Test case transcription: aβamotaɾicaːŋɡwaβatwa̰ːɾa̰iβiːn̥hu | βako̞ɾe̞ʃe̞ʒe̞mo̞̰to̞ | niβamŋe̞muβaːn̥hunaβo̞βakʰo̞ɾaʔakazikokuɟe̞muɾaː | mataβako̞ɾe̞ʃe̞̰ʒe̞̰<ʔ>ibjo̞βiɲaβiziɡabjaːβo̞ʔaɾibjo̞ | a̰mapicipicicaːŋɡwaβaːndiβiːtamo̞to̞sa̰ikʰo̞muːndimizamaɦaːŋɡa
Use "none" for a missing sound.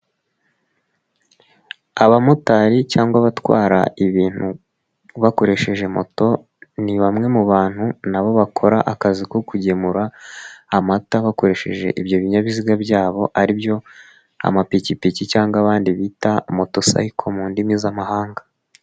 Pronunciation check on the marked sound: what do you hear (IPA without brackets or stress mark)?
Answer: ʔ